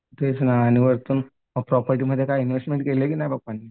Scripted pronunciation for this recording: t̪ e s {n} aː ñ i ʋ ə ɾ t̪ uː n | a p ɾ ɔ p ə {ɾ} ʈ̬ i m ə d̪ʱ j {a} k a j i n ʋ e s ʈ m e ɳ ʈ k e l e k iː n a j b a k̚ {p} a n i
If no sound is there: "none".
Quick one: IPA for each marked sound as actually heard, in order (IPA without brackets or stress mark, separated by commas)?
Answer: n, ɾ, e, p